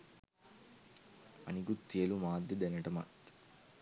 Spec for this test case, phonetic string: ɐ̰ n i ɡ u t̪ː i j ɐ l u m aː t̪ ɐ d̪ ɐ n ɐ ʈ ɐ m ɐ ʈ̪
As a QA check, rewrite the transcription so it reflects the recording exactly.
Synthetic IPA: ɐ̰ n i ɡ u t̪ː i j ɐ l u m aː d̪ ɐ d̪ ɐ n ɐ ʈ ɐ m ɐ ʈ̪